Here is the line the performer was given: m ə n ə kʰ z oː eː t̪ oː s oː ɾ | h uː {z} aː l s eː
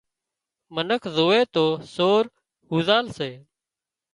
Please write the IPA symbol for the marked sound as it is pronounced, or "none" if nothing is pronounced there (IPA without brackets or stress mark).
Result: z